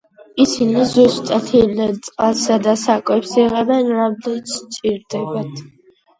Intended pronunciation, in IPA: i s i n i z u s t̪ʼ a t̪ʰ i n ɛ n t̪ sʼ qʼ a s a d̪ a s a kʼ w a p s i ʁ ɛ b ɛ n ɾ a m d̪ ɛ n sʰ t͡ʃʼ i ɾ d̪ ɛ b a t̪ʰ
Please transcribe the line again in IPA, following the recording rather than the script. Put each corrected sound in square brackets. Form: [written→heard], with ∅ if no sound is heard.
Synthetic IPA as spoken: i s i n i z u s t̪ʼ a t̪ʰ i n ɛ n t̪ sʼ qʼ a s a d̪ a s a kʼ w [a→ɛ] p s i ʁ ɛ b ɛ n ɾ a m d̪ ɛ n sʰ t͡ʃʼ i ɾ d̪ ɛ b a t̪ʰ